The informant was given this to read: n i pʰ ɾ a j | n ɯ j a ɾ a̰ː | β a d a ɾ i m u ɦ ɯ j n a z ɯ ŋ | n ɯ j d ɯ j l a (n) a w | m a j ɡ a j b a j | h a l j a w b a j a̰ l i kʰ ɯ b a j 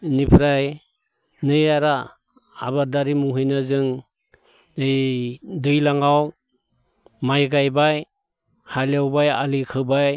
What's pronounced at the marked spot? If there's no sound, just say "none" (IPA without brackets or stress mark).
ŋ